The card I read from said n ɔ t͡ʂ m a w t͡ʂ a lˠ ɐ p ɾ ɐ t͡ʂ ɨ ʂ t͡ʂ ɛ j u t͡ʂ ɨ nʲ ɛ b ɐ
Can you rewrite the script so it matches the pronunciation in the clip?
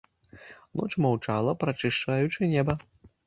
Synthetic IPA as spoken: n ɔ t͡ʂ m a w t͡ʂ a lˠ ɐ p ɾ ɐ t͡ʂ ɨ ʂ t͡ʂ a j u t͡ʂ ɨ nʲ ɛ b ɐ